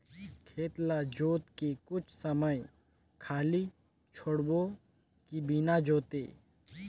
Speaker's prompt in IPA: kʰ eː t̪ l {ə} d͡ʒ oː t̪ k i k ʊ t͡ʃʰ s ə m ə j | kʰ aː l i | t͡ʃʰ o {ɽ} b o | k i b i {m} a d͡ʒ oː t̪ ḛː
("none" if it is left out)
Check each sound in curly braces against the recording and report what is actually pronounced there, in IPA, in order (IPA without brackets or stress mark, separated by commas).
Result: a, ɽ, n